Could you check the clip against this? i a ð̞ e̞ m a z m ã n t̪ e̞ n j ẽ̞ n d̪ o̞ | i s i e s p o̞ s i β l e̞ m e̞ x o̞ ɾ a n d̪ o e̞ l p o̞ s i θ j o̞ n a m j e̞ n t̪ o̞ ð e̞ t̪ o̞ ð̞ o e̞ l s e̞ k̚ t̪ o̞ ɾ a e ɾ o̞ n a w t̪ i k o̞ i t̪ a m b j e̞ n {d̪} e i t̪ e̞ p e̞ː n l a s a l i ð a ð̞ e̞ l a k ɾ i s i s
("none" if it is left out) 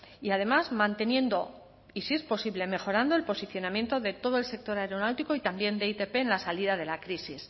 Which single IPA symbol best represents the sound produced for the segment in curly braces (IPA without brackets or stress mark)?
d̪